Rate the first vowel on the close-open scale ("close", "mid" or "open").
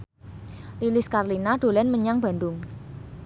close